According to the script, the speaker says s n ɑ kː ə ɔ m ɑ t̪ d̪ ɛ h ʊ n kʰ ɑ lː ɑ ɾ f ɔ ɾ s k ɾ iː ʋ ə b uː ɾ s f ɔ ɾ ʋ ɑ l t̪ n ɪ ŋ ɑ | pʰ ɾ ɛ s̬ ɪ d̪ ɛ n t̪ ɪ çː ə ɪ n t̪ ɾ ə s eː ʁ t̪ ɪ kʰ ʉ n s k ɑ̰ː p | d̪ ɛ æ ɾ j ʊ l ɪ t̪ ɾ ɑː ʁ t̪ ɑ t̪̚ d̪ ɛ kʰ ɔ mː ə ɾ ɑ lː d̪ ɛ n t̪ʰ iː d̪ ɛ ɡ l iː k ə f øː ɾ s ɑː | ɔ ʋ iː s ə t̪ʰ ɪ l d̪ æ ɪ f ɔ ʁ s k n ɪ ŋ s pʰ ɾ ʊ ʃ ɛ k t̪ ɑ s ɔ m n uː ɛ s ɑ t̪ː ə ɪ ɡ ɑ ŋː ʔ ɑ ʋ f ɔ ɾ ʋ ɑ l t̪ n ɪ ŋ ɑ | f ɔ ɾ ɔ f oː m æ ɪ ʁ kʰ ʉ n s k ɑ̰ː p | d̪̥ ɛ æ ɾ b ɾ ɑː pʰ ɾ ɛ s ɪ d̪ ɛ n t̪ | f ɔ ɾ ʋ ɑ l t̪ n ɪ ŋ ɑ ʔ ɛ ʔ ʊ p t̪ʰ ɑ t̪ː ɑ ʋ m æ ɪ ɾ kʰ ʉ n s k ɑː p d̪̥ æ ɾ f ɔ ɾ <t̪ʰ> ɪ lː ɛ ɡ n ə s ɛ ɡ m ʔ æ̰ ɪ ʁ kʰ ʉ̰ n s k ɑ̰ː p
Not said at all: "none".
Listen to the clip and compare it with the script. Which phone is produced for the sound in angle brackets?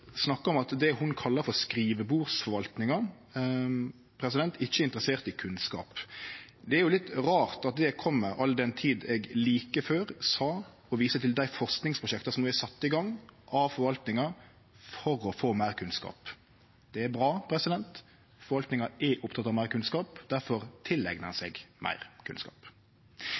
t̪ʰ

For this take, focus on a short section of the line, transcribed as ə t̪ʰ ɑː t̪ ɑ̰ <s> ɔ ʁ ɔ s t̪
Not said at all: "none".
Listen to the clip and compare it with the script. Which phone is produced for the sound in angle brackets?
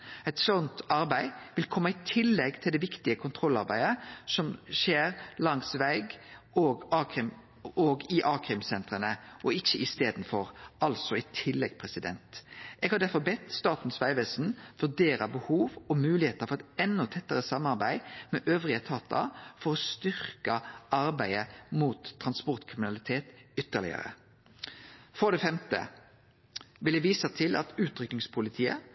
f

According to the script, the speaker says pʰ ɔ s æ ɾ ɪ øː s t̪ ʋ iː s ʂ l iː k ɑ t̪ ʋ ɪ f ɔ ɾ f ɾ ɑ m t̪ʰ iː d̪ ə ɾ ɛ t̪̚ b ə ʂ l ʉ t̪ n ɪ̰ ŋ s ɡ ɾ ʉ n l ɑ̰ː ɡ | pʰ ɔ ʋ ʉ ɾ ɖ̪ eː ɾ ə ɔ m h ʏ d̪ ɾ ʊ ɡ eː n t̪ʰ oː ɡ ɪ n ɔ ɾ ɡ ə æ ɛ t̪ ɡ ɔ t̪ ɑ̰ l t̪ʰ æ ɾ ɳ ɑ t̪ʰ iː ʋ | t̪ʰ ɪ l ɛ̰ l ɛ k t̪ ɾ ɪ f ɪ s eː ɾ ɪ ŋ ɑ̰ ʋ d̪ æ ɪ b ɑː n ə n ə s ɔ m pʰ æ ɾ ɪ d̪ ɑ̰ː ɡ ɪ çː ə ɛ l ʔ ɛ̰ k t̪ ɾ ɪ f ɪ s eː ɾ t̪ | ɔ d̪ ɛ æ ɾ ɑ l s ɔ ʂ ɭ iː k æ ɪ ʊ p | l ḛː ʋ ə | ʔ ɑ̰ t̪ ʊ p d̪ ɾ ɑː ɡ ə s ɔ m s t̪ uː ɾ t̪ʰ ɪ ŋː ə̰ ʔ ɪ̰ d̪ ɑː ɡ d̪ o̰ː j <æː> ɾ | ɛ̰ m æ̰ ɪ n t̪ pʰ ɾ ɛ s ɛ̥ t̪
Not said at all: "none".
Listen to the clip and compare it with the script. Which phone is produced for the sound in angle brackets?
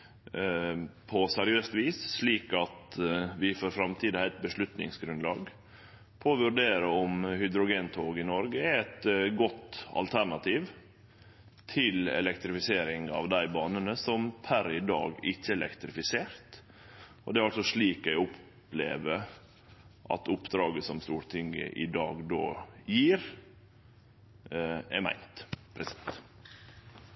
iː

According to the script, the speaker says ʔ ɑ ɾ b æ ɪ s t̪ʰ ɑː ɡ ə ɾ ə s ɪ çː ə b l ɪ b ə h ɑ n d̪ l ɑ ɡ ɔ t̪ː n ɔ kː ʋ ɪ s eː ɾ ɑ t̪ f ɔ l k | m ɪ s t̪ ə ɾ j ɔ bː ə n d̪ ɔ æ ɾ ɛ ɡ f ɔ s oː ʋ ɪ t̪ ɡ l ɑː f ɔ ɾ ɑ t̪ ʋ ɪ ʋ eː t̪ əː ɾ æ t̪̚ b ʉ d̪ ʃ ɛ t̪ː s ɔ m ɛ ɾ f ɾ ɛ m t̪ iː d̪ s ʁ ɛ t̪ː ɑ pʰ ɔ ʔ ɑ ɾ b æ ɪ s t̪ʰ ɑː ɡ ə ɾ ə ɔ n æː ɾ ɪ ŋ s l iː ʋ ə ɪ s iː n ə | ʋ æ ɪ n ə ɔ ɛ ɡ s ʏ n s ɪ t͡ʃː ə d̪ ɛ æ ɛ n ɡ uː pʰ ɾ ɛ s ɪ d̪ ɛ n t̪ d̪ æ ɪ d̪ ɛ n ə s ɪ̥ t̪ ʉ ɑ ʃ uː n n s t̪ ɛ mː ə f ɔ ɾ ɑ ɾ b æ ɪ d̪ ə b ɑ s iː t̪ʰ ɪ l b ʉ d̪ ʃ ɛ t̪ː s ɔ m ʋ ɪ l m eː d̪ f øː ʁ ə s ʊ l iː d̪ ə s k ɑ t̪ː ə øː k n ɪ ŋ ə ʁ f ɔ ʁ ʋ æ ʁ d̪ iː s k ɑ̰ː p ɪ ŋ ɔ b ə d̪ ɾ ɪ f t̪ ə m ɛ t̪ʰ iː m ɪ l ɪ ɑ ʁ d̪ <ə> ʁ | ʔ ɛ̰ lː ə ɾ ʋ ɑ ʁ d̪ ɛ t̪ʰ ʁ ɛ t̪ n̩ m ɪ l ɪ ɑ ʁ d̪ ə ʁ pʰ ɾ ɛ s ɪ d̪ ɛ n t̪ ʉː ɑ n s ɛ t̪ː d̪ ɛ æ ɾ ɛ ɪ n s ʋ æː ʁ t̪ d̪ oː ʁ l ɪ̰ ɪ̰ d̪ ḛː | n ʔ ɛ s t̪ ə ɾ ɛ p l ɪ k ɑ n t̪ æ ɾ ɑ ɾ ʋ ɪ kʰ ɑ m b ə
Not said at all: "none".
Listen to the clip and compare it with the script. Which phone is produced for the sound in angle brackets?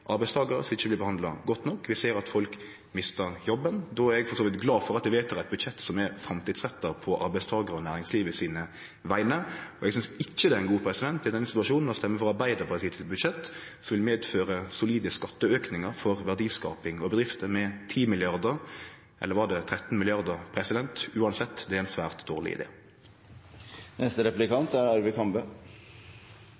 ə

